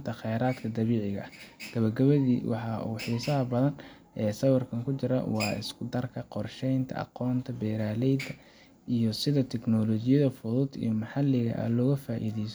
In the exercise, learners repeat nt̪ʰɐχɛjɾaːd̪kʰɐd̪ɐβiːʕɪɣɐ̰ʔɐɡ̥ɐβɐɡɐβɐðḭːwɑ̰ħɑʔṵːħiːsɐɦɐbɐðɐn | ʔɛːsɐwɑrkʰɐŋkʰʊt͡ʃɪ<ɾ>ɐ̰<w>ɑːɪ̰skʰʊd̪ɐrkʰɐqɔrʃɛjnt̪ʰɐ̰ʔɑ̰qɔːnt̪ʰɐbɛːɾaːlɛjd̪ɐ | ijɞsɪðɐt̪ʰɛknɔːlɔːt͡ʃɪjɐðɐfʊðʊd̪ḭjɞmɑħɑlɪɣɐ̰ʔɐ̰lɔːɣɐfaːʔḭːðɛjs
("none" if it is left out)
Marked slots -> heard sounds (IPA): ɾ, w

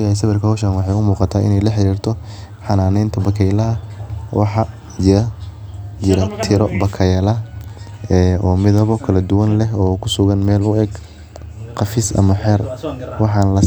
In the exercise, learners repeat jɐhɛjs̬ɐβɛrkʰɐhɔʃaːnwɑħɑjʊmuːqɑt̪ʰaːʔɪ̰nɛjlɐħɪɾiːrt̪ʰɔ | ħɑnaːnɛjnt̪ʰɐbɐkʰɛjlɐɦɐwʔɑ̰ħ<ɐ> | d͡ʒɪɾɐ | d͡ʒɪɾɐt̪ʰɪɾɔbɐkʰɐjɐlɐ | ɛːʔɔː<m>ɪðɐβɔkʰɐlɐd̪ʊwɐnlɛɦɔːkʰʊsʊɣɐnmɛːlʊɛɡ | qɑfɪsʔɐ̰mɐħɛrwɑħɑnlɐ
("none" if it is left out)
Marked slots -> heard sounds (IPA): ɑ, m

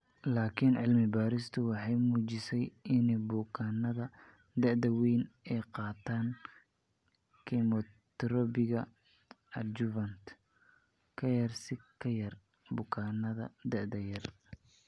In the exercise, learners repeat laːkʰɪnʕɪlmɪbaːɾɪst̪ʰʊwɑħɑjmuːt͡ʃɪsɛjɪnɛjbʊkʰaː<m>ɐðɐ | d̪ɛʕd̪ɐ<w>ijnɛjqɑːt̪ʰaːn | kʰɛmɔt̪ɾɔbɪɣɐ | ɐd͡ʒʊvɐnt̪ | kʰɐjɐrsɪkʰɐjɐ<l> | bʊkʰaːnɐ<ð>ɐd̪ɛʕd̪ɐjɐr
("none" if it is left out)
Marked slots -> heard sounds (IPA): n, w, r, ð

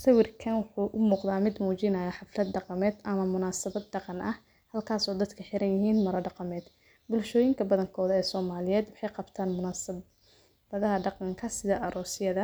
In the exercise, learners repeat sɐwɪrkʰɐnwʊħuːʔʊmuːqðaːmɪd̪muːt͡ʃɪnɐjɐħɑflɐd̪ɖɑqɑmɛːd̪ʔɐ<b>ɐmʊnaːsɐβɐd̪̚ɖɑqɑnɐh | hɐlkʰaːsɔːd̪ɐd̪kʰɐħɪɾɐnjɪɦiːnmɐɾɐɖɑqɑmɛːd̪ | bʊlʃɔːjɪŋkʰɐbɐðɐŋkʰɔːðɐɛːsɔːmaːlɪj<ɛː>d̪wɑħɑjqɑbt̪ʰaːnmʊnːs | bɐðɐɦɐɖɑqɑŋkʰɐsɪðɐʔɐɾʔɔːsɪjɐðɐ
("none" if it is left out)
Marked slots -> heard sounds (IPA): m, ɛː

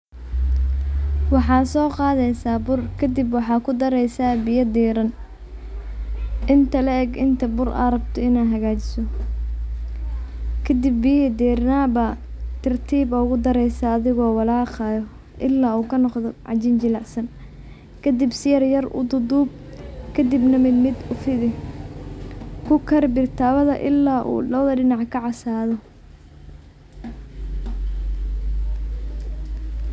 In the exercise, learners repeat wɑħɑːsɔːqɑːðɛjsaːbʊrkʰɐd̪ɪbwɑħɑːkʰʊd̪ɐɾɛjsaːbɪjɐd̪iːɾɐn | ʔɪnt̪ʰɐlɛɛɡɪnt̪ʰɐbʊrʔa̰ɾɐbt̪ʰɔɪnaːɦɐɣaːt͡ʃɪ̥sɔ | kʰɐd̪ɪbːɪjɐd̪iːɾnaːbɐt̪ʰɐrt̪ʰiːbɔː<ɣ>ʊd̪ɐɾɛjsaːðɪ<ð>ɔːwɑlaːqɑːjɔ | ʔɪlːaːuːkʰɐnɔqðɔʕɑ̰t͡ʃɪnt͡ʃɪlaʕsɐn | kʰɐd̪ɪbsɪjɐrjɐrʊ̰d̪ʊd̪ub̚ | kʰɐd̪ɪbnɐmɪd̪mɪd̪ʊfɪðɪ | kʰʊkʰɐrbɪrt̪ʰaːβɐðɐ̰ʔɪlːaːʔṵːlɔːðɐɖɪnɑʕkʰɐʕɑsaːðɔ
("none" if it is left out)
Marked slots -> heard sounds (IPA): ɣ, ɣ

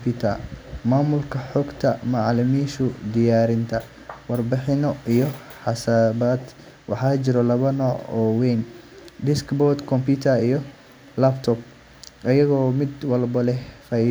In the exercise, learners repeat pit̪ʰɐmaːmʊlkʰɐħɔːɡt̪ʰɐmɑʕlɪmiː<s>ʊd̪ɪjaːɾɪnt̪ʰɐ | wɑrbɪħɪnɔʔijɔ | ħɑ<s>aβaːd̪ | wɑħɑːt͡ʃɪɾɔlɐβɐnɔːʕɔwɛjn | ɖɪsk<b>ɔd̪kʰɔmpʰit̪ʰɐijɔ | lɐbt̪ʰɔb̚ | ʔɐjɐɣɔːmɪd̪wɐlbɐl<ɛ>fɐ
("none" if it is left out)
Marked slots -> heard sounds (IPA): ʃ, s, b, ɛ

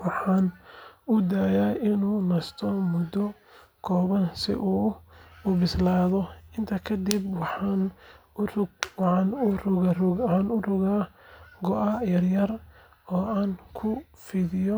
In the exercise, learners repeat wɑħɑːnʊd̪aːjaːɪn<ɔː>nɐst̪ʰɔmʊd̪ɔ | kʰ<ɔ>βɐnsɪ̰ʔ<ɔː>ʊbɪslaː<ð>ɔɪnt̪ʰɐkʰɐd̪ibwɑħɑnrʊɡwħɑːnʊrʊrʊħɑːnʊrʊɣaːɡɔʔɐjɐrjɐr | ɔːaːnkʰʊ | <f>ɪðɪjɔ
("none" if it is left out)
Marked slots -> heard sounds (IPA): uː, ɔː, uː, ð, f

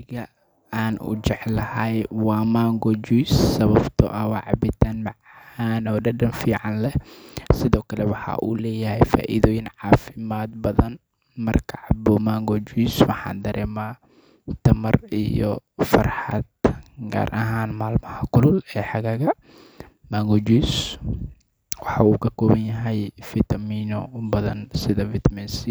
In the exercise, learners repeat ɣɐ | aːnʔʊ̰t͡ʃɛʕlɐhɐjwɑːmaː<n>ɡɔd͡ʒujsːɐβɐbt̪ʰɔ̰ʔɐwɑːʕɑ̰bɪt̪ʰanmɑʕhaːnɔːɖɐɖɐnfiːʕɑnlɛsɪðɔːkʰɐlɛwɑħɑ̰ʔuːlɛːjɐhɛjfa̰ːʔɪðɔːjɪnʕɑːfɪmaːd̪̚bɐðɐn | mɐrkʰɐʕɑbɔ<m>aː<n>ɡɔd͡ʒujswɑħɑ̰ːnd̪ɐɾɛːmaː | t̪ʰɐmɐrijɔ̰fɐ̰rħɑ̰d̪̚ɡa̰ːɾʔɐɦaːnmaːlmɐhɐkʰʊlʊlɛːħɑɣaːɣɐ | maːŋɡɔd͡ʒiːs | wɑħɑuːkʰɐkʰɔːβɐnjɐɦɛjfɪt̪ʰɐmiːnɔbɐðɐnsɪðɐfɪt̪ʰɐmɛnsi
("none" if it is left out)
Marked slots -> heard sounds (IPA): ŋ, m, ŋ

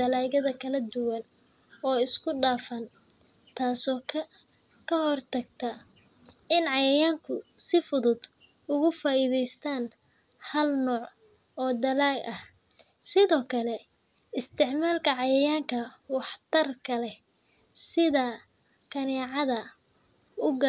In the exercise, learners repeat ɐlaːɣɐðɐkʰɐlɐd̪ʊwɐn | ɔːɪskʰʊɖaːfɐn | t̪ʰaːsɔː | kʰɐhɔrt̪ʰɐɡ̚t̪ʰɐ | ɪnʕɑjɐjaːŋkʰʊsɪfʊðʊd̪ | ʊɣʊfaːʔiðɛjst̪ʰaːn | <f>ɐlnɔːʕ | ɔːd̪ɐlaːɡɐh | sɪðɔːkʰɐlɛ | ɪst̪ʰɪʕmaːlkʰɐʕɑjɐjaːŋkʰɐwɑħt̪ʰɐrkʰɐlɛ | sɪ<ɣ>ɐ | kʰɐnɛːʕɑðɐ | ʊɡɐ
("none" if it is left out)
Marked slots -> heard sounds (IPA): h, ð

